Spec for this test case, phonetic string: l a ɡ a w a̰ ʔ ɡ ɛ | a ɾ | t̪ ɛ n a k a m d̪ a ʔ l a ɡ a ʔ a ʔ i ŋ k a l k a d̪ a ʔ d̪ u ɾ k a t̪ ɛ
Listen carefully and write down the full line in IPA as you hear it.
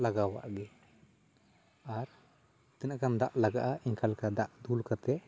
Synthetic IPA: l a ɡ a w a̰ ʔ ɡ ɛ | a ɾ | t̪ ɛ n a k a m d̪ a ʔ l a ɡ a ʔ a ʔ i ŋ k a l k a d̪ a ʔ d̪ u l k a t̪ ɛ